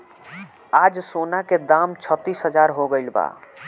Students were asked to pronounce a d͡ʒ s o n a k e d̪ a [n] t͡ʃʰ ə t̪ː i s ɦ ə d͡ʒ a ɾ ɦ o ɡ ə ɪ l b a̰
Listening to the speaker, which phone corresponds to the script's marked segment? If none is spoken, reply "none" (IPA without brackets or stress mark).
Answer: m